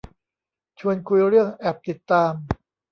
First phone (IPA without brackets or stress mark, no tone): t͡ɕʰ